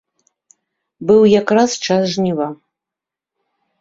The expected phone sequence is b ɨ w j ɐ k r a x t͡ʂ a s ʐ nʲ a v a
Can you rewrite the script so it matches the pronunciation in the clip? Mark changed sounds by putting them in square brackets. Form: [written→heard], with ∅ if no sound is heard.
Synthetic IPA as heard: b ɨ w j [ɐ→a] k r a [x→s] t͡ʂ a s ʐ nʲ [a→i] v a